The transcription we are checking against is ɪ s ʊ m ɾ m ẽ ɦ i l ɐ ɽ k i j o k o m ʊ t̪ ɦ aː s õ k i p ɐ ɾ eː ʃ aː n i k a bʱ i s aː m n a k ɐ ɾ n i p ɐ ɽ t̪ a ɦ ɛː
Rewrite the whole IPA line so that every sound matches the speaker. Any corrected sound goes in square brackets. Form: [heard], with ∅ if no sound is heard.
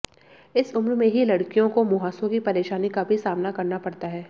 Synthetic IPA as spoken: ɪ s ʊ m ɾ m ẽ ɦ i l ɐ ɽ k i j [õ] k o m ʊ [∅] ɦ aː s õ k i p ɐ ɾ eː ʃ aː n i k a bʱ i s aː m n a k ɐ ɾ n [a] p ɐ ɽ t̪ a ɦ ɛː